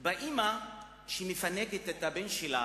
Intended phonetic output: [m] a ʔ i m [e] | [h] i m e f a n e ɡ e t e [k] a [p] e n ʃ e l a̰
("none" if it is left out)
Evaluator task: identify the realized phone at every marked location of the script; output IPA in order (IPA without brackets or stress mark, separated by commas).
b, a, ʃ, t, b